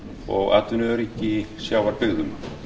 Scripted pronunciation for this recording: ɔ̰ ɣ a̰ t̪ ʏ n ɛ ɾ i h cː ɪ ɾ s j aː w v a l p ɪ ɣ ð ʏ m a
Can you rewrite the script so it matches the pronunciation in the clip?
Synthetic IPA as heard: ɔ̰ ɣ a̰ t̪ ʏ n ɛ ɾ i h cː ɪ s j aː w v a ɾ p ɪ ɣ ð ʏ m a